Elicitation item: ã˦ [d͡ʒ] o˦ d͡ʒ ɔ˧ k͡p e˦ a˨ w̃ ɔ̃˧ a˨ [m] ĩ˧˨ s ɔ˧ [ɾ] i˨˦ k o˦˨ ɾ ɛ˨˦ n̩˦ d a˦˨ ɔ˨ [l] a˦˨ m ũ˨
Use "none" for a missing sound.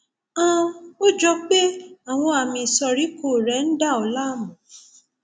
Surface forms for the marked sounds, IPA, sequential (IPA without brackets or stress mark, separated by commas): none, m, ɾ, l